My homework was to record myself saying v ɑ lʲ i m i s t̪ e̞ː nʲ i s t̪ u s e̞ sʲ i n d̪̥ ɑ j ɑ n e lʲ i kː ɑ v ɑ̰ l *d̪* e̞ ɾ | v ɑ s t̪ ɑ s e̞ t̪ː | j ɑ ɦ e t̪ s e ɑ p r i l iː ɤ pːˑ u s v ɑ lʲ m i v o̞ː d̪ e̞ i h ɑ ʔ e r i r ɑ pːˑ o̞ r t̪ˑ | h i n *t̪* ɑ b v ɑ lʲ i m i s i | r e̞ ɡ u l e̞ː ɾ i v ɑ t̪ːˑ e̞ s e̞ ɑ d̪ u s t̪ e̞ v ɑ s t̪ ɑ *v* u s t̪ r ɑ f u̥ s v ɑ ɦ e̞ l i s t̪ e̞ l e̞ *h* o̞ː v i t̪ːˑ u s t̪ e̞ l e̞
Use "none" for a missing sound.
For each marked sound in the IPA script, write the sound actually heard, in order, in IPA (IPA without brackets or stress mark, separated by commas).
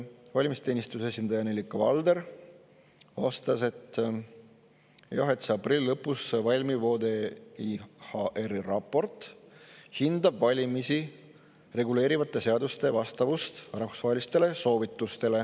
d̪, d̪, v, s